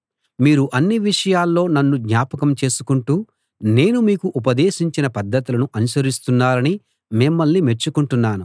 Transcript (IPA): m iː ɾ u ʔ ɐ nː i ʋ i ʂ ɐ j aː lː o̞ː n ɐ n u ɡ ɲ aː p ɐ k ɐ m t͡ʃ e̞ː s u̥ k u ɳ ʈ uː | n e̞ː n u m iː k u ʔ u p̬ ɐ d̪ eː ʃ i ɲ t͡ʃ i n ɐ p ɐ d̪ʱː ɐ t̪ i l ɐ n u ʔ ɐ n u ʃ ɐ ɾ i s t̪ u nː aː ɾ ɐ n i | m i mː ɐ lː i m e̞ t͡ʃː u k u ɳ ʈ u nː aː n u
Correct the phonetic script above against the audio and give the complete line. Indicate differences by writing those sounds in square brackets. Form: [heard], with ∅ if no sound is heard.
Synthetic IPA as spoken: m iː ɾ u ʔ ɐ nː i ʋ i ʂ ɐ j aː lː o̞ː n ɐ [nː] u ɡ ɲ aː p ɐ k ɐ m t͡ʃ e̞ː s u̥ k u ɳ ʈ uː | n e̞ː n u m iː k u ʔ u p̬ ɐ d̪ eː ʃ i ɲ t͡ʃ i n ɐ p ɐ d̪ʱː ɐ t̪ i l ɐ n u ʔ ɐ n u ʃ ɐ ɾ i s t̪ u nː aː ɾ ɐ n i | m i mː ɐ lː i m e̞ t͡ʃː u k u ɳ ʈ u nː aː n u